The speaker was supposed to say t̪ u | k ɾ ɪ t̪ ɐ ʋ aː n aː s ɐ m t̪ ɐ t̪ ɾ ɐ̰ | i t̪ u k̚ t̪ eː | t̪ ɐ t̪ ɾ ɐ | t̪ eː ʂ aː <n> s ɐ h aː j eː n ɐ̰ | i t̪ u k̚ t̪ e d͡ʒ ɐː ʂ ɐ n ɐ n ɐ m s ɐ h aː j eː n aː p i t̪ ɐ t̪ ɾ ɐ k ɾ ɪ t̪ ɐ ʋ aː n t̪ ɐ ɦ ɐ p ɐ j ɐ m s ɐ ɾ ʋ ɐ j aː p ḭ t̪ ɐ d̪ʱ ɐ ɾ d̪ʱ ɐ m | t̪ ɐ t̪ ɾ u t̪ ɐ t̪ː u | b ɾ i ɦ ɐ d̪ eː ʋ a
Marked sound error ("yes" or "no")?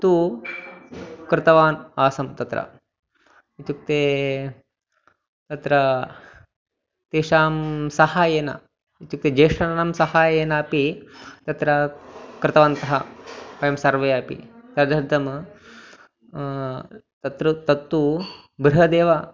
yes